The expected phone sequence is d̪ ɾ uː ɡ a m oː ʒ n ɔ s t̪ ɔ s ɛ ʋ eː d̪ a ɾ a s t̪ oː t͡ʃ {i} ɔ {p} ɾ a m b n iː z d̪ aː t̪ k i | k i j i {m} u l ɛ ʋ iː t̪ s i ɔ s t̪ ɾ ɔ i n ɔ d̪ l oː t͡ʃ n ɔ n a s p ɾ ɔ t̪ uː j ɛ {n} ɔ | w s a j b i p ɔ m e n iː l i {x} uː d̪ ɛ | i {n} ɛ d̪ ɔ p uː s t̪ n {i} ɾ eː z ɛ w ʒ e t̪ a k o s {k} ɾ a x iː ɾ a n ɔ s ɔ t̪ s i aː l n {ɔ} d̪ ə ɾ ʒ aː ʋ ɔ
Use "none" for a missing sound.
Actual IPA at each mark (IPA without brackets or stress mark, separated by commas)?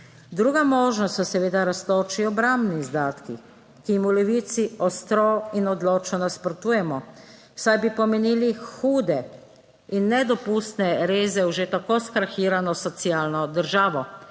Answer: i, b, m, m, x, nː, ɛ, k, ɔ